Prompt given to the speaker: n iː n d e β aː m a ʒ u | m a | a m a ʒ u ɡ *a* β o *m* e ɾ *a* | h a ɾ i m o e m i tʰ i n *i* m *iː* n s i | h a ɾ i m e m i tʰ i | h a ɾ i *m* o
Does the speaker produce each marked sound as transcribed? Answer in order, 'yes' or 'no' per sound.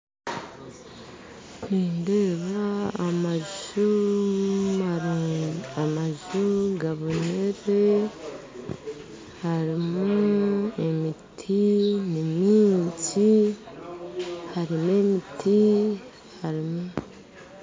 yes, no, no, yes, yes, yes

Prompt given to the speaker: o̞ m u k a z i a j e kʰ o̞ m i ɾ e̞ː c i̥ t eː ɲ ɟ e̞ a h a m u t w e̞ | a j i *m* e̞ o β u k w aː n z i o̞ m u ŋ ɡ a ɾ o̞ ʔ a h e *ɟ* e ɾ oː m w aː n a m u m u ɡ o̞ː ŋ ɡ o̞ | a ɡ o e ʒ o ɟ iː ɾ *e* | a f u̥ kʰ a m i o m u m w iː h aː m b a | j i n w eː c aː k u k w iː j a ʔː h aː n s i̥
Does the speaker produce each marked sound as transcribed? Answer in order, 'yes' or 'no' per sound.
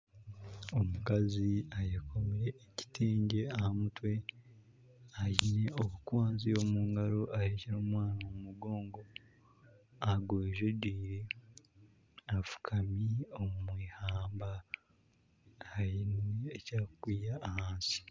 no, no, yes

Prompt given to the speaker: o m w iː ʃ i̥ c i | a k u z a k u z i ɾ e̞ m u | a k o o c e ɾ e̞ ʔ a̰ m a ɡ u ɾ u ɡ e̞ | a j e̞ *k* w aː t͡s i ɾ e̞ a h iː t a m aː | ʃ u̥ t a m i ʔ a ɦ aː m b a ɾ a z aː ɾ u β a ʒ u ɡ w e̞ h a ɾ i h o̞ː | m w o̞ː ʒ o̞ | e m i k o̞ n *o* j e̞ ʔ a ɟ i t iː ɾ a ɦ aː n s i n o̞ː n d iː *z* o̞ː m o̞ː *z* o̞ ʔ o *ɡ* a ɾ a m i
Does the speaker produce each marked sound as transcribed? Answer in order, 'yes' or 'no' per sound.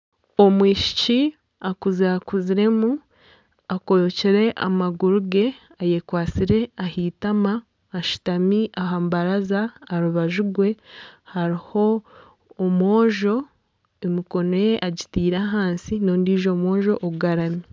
yes, yes, no, no, yes

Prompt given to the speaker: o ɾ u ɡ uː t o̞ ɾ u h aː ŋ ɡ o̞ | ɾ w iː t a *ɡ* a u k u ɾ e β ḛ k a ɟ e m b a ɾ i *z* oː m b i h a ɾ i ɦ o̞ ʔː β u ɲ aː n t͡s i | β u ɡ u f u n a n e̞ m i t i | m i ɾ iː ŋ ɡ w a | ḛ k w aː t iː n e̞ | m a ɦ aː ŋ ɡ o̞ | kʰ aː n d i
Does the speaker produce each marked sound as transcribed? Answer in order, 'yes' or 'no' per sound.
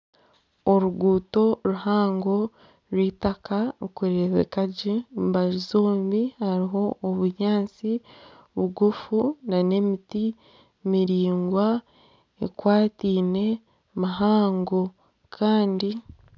no, yes

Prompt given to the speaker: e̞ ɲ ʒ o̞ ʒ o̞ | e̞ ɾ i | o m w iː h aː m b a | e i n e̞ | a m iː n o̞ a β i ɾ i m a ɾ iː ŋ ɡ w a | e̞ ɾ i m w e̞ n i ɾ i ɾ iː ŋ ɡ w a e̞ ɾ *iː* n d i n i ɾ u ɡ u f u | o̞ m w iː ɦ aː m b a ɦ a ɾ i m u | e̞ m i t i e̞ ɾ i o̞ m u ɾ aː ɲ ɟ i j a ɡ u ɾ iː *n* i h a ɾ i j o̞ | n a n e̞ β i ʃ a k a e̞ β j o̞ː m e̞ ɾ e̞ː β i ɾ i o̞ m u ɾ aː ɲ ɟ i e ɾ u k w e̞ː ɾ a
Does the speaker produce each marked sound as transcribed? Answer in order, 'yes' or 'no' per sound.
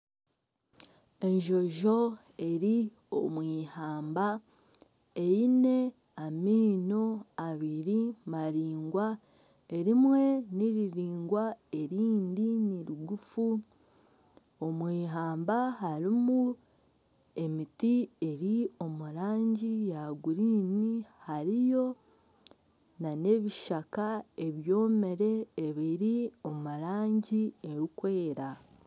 yes, yes

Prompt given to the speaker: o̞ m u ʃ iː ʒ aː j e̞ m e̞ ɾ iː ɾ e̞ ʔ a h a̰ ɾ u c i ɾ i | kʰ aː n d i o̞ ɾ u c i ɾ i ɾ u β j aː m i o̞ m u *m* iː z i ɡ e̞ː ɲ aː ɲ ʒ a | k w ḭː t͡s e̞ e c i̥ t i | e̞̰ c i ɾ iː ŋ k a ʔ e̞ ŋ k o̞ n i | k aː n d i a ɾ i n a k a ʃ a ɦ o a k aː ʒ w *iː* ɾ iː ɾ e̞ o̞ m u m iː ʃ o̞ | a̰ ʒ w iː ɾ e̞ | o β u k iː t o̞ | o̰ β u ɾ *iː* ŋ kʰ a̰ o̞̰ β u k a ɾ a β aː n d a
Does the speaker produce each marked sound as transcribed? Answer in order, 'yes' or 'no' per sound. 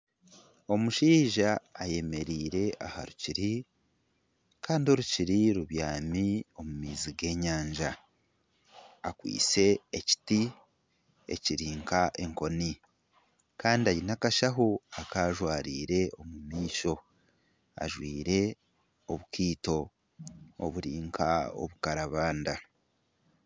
yes, no, yes

